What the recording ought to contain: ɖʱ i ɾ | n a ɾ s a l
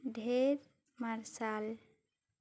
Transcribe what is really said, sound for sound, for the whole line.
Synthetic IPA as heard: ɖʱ e ɾ | m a ɾ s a l